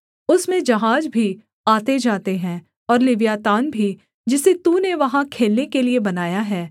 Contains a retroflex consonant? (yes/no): no